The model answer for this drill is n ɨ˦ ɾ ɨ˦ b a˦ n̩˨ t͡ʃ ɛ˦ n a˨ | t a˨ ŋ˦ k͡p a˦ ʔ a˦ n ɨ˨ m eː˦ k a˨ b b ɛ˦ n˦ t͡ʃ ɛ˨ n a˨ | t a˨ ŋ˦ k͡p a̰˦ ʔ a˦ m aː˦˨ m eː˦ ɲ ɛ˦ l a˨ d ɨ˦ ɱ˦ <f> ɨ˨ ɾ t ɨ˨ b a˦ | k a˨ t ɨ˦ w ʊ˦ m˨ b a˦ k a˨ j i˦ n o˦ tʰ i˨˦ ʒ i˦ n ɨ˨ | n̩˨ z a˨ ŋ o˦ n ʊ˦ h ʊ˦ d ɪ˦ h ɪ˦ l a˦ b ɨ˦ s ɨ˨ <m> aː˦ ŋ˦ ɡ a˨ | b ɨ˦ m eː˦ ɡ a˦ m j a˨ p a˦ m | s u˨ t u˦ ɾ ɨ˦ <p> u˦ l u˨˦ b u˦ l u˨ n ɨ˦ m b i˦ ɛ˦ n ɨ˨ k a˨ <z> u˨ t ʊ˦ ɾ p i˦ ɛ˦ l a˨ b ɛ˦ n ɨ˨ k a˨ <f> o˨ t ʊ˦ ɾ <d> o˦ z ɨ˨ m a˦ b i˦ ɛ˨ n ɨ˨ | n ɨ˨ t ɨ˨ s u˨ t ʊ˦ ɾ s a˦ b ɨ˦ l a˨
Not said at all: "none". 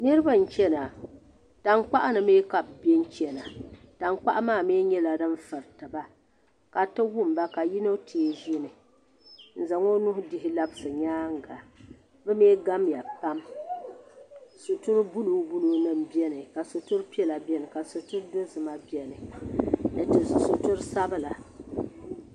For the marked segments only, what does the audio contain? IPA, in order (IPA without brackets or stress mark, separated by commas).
f, ɲ, b, s, s, d